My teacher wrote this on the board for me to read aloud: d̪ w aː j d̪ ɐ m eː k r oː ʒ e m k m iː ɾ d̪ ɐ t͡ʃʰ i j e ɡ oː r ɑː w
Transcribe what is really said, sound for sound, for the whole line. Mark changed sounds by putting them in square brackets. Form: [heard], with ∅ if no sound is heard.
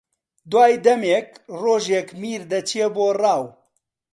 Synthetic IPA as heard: d̪ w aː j d̪ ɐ m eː k r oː ʒ e [∅] k m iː ɾ d̪ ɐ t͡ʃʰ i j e [b] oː r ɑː w

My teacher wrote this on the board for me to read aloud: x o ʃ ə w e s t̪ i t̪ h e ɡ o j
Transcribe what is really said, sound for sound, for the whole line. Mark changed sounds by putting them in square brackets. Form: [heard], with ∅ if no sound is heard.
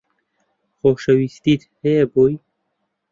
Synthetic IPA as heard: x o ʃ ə w [i] s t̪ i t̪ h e [b] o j

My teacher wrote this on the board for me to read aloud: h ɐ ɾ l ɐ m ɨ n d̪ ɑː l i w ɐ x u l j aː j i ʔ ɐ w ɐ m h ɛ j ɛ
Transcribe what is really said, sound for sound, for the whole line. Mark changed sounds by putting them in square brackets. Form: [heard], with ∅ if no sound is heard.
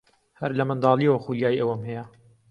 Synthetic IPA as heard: h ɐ ɾ l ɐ m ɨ n d̪ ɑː l i w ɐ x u l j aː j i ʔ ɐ w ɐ m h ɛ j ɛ

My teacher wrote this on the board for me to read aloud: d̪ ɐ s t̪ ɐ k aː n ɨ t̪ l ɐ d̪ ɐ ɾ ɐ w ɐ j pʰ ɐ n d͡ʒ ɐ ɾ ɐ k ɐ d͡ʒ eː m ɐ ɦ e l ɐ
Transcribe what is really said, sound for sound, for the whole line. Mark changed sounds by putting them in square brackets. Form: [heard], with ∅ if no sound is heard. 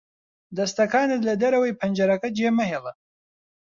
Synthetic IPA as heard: d̪ ɐ s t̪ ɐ k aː n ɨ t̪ l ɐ d̪ ɐ ɾ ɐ w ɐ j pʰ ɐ n d͡ʒ ɐ ɾ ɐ k ɐ d͡ʒ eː m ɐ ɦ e l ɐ

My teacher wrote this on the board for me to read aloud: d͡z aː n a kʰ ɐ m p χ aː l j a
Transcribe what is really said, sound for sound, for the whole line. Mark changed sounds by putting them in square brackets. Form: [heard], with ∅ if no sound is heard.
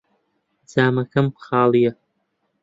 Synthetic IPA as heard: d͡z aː [m] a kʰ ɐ m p χ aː l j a

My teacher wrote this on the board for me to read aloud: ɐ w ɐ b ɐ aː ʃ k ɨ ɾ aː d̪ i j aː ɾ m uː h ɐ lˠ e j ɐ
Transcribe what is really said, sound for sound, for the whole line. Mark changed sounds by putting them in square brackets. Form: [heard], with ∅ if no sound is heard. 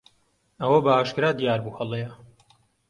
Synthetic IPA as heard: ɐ w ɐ b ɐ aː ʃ k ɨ ɾ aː d̪ i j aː ɾ [b] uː h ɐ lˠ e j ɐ

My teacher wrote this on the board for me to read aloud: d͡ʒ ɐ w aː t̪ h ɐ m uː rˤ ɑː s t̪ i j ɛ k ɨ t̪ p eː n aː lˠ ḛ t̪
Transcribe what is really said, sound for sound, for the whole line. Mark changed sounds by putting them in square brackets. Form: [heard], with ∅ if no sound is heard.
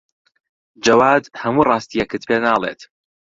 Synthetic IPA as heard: d͡ʒ ɐ w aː [d̪] h ɐ m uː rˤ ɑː s t̪ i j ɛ k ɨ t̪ p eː n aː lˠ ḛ t̪

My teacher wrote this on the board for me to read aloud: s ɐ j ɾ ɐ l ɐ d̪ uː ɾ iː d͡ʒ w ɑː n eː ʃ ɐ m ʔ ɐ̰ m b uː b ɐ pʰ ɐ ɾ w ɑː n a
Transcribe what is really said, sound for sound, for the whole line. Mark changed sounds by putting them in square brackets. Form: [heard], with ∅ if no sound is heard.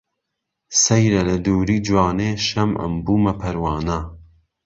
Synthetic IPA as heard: s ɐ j ɾ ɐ l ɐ d̪ uː ɾ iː d͡ʒ w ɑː n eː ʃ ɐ m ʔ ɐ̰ m b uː [m] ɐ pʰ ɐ ɾ w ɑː n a

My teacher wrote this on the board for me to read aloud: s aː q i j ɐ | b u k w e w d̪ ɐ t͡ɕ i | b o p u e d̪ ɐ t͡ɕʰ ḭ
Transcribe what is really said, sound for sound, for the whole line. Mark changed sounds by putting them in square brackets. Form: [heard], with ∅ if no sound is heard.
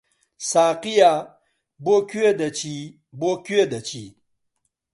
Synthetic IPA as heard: s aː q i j [a] | b [o] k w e [∅] d̪ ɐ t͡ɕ i | b o [k] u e d̪ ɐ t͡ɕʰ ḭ

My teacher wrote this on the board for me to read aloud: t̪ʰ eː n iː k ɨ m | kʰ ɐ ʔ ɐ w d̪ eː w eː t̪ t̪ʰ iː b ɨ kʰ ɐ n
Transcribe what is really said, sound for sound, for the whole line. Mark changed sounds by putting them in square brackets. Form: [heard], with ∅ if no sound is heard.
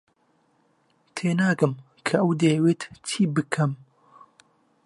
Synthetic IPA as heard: t̪ʰ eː n [aː] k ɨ m | kʰ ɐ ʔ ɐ w d̪ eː w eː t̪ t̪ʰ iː b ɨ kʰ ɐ [m]

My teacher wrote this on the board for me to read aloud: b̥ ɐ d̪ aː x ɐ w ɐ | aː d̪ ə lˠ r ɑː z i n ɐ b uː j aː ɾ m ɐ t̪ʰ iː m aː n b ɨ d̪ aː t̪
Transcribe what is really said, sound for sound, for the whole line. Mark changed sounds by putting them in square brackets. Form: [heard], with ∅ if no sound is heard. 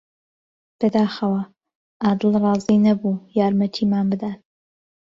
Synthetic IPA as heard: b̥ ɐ d̪ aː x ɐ w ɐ | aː d̪ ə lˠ r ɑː z i n ɐ b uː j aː ɾ m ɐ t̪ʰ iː m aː n b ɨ d̪ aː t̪

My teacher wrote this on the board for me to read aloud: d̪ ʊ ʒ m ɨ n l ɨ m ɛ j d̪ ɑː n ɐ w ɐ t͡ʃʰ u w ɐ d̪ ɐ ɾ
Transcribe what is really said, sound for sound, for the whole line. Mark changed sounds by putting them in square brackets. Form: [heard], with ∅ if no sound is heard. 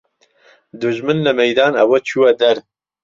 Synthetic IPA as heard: d̪ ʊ ʒ m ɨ n l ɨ m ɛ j d̪ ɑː n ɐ w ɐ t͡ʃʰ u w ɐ d̪ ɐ ɾ

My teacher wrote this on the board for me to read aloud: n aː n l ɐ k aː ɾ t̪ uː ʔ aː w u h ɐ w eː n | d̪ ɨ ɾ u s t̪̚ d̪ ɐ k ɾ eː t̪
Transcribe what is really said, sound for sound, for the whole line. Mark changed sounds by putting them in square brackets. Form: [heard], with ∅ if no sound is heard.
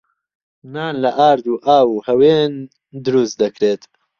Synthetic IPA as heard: n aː n l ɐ [ʔ] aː ɾ [d̪] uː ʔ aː w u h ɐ w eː n | d̪ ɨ ɾ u s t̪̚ d̪ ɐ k ɾ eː t̪

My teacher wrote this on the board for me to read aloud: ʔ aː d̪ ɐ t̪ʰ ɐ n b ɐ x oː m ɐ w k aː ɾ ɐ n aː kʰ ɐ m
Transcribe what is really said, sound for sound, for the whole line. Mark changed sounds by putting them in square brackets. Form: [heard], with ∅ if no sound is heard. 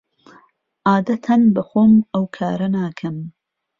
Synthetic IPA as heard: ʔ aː d̪ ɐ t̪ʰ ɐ n b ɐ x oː m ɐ w [kʰ] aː ɾ ɐ n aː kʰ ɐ m

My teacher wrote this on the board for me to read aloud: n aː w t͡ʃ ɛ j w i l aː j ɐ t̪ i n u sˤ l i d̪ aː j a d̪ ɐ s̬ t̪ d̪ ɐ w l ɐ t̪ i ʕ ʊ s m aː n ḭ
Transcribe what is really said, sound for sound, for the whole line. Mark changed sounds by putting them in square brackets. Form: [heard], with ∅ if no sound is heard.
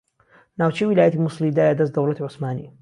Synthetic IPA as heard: n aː w t͡ʃ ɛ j w i l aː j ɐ t̪ i [m] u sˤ l i d̪ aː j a d̪ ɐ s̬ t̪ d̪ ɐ w l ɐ t̪ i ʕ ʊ s m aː n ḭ

